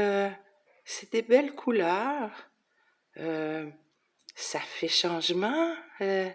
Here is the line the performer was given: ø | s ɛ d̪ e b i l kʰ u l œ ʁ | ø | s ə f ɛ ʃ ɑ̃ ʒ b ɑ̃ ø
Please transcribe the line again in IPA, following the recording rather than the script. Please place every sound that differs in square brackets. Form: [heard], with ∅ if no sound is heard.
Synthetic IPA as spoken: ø | s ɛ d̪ e b [ɛ] l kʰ u l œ ʁ | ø | s [a] f ɛ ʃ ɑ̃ ʒ [m] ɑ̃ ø